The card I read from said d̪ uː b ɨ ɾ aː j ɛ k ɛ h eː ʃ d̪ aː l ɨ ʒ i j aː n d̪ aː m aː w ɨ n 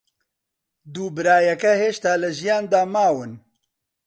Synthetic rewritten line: d̪ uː b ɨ ɾ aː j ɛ k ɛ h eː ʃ t̪ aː l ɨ ʒ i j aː n d̪ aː m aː w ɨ n